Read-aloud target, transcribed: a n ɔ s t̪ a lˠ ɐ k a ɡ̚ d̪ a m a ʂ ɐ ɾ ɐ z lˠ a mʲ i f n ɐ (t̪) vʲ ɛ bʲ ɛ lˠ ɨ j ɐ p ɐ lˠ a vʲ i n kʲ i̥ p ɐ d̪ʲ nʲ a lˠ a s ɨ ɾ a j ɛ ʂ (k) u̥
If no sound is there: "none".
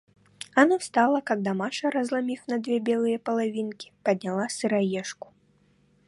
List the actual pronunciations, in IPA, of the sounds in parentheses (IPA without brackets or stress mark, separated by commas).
d̪, k